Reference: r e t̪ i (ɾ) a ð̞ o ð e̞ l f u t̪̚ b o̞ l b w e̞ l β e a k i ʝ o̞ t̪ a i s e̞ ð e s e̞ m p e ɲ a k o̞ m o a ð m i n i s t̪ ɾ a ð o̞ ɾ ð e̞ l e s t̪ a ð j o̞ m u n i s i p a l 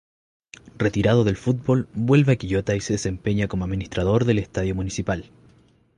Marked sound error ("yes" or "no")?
no